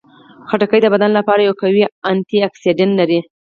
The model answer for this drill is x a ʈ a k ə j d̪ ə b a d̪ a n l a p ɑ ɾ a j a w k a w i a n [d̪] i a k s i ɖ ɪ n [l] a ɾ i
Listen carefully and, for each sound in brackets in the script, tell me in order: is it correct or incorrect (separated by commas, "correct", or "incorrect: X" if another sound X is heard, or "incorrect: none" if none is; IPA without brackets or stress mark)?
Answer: incorrect: t̪, correct